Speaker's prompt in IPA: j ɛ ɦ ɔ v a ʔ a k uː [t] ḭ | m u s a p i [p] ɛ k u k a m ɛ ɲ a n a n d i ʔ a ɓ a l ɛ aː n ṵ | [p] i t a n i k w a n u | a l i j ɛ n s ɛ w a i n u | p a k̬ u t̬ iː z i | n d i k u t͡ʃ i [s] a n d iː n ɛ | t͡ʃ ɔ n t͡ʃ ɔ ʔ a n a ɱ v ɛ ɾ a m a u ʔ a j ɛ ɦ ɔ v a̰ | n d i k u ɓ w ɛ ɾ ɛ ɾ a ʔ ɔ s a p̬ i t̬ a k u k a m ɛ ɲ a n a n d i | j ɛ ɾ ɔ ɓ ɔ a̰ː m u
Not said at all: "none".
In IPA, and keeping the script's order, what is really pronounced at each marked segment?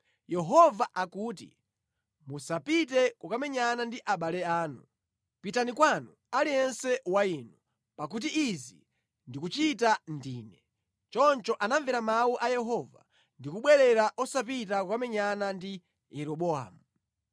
t, t, p, t

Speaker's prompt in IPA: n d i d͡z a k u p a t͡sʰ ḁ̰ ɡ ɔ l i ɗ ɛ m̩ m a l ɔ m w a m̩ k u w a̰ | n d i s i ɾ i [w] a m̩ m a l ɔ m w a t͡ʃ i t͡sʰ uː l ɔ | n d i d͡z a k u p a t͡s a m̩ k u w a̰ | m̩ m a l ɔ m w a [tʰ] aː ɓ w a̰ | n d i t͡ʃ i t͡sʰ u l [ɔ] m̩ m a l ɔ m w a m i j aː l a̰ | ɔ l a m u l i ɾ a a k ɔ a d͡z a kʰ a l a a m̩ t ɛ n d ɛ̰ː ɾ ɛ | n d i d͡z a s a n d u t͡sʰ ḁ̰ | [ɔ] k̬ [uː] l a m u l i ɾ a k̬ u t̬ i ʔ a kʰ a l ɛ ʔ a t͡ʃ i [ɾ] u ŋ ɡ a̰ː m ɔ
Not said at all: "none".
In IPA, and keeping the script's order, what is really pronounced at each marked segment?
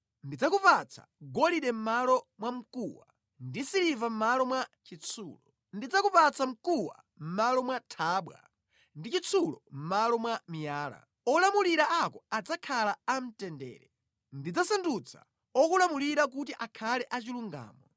v, tʰ, ɔ, ɔ, u, l

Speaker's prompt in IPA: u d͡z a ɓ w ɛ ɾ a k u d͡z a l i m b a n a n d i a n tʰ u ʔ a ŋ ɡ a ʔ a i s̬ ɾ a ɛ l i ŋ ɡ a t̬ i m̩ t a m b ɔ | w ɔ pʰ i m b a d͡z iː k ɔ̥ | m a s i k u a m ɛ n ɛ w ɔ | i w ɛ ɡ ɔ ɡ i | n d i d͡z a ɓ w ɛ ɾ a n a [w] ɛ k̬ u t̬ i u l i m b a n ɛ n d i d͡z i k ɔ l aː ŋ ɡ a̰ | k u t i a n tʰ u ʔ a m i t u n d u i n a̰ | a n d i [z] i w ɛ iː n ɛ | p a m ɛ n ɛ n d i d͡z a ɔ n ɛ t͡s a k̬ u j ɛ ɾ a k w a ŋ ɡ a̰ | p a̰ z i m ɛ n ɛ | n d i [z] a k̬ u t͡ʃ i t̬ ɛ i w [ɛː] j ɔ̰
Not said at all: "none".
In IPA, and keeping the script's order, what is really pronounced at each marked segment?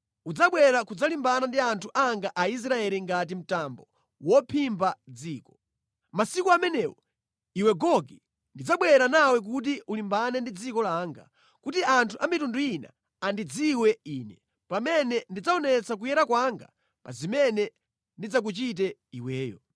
w, d͡z, d͡z, ɛː

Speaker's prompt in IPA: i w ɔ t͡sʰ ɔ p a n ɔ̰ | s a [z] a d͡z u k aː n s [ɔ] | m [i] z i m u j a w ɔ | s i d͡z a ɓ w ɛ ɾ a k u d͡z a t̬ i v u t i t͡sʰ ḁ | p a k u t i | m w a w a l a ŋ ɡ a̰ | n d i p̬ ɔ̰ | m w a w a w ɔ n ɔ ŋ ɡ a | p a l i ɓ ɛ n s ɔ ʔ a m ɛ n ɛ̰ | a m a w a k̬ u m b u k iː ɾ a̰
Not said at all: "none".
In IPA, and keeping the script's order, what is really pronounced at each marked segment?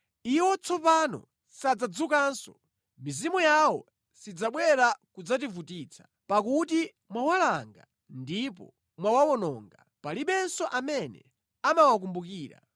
d͡z, ɔ, i

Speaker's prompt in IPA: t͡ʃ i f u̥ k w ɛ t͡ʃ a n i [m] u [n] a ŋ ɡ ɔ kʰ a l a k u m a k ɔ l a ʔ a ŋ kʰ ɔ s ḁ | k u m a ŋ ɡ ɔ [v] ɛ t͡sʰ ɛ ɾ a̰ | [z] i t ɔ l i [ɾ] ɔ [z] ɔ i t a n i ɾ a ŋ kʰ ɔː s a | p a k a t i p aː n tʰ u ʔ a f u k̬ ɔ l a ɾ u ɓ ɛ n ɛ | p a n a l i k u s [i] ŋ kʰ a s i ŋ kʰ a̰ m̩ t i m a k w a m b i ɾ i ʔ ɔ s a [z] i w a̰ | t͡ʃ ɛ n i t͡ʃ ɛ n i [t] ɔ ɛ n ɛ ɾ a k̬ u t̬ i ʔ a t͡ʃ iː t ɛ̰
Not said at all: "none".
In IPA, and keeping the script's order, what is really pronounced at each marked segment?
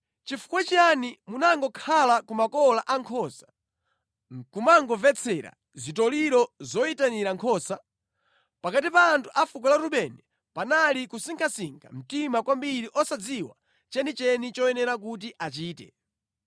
m, n, v, z, ɾ, z, i, d͡z, t͡ʃ

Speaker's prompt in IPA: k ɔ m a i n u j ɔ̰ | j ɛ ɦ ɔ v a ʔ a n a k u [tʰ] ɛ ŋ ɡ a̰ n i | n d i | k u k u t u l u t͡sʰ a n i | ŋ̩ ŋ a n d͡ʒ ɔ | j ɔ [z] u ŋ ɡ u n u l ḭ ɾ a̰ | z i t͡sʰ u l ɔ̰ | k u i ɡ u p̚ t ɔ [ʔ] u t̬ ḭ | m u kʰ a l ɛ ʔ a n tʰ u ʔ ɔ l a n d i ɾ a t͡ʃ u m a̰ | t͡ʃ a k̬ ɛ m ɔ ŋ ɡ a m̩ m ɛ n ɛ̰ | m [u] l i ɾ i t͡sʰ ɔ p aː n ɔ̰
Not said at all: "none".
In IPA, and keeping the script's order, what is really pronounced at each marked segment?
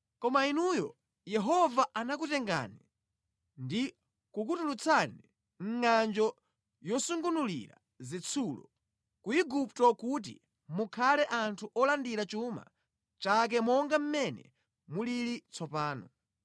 t, s, k, u

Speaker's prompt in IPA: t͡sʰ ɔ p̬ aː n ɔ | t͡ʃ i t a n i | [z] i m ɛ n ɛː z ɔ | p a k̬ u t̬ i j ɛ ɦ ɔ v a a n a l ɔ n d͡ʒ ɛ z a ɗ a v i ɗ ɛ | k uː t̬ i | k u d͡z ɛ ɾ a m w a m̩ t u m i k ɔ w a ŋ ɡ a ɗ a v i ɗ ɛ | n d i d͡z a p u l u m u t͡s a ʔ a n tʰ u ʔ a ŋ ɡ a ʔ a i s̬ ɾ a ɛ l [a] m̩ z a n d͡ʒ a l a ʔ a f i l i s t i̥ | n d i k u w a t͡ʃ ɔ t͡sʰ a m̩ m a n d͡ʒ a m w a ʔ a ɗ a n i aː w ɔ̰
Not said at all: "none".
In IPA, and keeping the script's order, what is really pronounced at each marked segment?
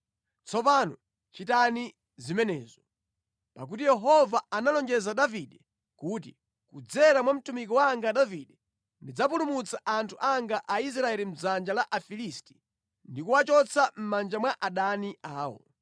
z, i

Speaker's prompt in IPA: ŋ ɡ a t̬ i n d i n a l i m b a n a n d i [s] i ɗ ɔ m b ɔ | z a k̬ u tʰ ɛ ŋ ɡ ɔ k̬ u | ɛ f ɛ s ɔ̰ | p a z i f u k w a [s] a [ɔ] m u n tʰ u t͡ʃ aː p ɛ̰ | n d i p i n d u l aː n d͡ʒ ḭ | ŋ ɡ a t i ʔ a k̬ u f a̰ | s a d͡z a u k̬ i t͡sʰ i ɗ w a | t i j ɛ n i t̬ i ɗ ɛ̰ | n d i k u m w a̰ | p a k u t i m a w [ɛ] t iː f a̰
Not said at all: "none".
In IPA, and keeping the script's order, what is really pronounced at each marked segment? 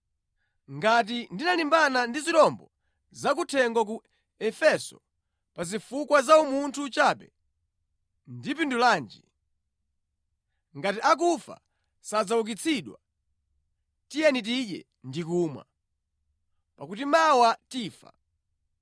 z, z, u, a

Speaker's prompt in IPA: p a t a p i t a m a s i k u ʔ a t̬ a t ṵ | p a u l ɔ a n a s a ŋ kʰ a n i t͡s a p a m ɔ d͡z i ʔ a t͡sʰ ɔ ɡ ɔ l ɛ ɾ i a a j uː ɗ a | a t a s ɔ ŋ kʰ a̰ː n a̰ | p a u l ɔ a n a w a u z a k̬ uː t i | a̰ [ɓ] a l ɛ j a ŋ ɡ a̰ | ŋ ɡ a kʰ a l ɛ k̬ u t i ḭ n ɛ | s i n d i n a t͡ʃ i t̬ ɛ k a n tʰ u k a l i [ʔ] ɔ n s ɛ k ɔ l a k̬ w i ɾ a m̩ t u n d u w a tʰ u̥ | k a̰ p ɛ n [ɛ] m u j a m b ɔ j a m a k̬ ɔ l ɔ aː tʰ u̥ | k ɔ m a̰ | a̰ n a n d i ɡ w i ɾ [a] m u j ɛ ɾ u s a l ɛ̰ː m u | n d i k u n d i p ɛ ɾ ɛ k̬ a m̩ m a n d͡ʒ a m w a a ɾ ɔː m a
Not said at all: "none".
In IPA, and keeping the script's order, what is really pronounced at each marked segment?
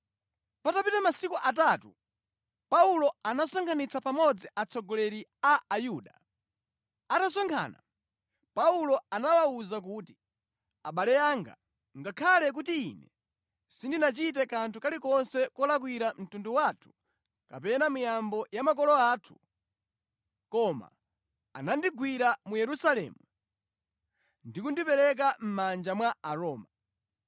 ɓ, k, a, a

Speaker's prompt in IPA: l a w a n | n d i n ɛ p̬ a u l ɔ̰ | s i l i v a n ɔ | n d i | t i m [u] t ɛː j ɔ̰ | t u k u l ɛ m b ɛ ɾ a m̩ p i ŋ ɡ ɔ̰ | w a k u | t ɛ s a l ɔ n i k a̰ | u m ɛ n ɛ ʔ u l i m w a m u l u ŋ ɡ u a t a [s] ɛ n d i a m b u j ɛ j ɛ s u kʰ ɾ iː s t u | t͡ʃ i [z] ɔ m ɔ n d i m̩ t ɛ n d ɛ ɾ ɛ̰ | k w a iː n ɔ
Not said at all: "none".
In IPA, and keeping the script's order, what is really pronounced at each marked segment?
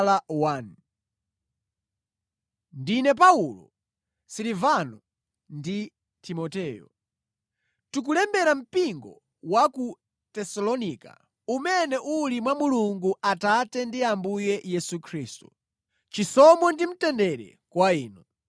ɔ, t, s

